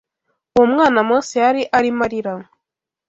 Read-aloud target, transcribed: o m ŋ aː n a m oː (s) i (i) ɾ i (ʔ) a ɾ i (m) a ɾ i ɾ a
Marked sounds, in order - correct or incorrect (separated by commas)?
correct, incorrect, correct, correct